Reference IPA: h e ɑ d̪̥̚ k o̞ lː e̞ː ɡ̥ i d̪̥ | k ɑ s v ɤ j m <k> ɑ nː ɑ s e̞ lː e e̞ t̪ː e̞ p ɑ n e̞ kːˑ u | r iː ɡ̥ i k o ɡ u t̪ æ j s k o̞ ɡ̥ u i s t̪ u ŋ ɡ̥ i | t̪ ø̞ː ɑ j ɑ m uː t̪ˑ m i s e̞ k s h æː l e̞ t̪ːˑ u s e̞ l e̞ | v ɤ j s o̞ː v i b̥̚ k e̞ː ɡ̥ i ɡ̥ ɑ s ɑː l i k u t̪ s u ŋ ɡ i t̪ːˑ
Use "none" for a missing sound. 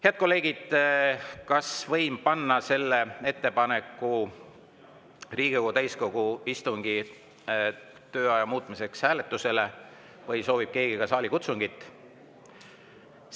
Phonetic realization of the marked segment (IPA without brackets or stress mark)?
p